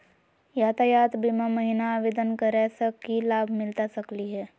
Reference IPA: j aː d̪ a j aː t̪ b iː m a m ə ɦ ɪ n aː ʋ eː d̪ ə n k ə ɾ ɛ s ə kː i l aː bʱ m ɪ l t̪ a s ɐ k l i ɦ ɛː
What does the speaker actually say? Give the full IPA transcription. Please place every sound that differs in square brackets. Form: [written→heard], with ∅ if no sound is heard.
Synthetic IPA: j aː [d̪→t̪] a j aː t̪ b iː m a m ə ɦ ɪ n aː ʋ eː d̪ ə n k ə ɾ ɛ s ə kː i l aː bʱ m ɪ l t̪ a s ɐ k l i ɦ ɛː